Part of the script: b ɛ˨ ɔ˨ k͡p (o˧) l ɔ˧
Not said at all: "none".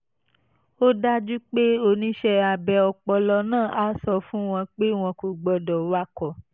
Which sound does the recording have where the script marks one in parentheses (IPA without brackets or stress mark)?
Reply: ɔ˧